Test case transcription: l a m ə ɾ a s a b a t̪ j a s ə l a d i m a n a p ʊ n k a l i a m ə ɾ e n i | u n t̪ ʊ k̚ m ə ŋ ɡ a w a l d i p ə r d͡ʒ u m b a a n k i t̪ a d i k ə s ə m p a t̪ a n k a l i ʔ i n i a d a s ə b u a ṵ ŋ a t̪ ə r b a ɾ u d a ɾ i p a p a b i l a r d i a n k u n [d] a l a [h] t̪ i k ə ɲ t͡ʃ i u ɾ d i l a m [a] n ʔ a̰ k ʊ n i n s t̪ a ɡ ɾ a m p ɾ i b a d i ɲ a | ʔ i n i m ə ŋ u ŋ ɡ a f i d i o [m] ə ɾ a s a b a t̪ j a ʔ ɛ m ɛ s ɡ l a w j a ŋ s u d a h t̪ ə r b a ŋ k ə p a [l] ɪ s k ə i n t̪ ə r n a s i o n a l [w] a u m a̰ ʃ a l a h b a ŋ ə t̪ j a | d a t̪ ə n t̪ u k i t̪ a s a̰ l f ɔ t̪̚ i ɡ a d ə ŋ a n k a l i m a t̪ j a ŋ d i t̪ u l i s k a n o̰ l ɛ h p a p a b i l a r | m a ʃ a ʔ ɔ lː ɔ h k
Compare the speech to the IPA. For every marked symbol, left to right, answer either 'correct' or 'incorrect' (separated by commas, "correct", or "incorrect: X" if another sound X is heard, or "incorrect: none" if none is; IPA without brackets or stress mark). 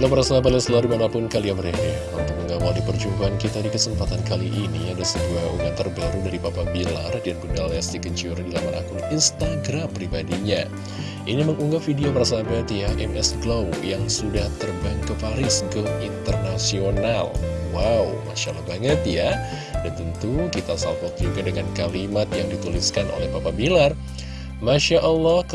correct, incorrect: s, correct, correct, incorrect: ɾ, correct